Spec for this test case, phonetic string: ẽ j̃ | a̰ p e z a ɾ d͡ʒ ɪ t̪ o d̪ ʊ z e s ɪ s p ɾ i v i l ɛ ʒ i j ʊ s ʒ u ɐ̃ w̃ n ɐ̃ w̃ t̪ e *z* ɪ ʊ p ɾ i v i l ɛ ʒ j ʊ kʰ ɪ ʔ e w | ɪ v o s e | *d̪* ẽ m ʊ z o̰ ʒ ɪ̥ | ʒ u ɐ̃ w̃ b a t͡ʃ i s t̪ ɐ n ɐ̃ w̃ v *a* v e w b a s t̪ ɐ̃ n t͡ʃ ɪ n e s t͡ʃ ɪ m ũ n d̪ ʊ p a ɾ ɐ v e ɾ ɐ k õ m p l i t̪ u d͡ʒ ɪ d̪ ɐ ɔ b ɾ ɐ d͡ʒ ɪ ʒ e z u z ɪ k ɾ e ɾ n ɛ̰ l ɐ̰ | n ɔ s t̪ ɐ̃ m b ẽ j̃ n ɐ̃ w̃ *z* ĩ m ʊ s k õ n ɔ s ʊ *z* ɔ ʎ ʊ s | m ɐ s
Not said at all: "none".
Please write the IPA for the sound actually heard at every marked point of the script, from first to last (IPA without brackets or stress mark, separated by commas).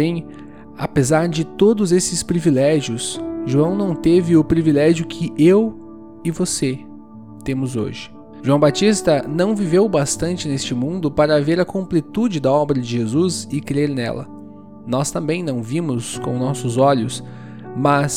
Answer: v, t̪, i, v, z